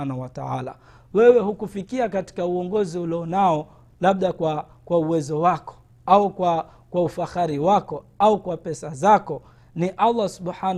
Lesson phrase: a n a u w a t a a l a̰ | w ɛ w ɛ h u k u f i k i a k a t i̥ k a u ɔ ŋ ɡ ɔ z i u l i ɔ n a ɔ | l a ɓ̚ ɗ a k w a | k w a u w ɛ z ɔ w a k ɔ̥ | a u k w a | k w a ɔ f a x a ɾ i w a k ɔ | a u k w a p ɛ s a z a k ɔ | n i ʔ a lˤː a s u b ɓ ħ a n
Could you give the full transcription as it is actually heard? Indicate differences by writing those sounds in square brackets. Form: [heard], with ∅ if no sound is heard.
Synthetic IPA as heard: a n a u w a t a a l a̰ | w ɛ w ɛ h u k u f i k i a k a t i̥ k a u ɔ ŋ ɡ ɔ z i u l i ɔ n a ɔ | l a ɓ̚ ɗ a k w a | k w a u w ɛ z ɔ w a k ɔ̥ | a u k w a | k w a [u] f a x a ɾ i w a k ɔ | a u k w a p ɛ s a z a k ɔ | n i ʔ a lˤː a s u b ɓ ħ a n